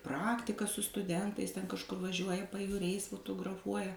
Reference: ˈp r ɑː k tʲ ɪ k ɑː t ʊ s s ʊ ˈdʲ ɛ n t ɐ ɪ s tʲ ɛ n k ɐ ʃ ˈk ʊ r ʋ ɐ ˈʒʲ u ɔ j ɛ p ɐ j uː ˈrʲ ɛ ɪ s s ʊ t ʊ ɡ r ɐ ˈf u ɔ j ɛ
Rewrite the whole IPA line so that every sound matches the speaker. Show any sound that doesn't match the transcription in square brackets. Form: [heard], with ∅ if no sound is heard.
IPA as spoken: ˈp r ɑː k tʲ ɪ k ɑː [s] ʊ s [t] ʊ ˈdʲ ɛ n t ɐ ɪ s tʲ ɛ n k ɐ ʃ ˈk ʊ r ʋ ɐ ˈʒʲ u ɔ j ɛ p ɐ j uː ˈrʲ ɛ ɪ s [f] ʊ t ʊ ɡ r ɐ ˈf u ɔ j ɛ